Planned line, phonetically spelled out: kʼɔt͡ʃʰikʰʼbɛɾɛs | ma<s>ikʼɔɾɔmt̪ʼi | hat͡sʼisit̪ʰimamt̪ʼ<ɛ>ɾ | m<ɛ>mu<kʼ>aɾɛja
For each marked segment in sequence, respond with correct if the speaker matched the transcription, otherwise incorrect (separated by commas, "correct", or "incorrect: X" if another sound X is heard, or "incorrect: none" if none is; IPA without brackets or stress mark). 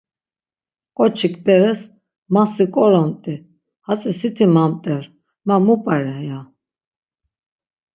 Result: correct, correct, incorrect: a, incorrect: pʼ